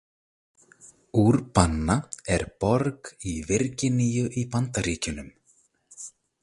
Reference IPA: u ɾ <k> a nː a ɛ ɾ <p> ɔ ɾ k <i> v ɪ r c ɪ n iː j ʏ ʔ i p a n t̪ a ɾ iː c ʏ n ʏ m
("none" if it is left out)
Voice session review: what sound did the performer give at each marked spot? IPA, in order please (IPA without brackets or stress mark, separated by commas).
p, p, i